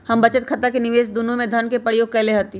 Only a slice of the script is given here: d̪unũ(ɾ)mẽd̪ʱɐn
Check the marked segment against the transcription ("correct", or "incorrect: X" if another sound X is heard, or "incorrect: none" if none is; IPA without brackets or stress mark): incorrect: none